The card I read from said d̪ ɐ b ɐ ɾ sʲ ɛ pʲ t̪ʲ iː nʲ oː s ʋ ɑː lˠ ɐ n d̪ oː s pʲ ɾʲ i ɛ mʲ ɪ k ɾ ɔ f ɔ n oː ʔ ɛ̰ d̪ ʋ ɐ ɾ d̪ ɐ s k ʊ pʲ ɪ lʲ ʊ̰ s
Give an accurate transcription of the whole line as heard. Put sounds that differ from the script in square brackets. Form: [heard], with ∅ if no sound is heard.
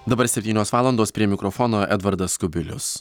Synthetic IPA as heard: d̪ ɐ b ɐ ɾ sʲ ɛ pʲ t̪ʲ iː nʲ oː s ʋ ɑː lˠ ɐ n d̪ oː s pʲ ɾʲ i ɛ mʲ ɪ k ɾ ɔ f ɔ n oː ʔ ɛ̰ d̪ ʋ ɐ ɾ d̪ ɐ s k ʊ [bʲ] ɪ lʲ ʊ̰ s